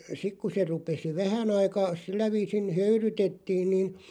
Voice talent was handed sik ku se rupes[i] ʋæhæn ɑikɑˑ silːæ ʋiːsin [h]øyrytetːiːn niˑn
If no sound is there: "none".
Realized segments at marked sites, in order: i, h

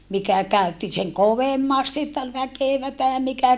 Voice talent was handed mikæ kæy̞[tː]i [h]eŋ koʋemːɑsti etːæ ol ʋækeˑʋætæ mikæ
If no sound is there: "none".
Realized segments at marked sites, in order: tː, s

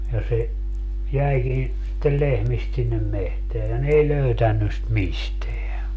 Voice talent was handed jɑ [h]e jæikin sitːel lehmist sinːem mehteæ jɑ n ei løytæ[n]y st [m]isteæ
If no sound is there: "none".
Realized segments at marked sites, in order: s, nː, m

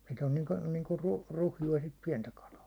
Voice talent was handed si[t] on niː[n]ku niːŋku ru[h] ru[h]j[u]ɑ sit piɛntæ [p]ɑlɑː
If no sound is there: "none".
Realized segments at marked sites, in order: t, ŋ, h, h, u, k

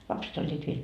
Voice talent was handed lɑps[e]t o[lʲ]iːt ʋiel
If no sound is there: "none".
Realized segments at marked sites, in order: e, lʲː

